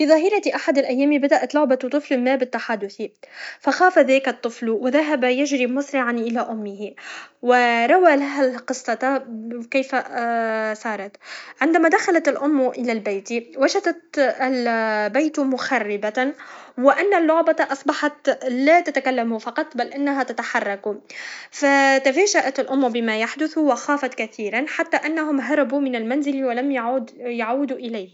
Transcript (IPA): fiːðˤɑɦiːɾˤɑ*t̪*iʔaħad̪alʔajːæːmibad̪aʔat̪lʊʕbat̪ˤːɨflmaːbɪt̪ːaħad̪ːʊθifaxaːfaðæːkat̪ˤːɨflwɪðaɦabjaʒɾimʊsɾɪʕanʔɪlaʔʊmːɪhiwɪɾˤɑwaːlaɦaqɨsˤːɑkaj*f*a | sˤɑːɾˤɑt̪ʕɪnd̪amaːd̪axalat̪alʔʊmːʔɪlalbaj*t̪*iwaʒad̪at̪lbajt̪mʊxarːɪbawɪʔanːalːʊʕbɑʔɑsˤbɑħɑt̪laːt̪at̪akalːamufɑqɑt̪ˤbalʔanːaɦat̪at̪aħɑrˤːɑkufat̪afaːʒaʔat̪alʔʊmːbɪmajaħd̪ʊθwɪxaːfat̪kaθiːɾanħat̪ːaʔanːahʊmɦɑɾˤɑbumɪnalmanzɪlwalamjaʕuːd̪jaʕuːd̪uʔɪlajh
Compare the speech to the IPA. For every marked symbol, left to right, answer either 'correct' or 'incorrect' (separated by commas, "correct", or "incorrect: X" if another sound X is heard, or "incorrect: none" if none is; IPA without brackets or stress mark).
correct, correct, correct